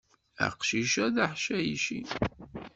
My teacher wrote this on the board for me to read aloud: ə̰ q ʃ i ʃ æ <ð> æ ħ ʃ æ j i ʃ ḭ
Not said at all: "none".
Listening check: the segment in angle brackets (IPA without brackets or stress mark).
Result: ð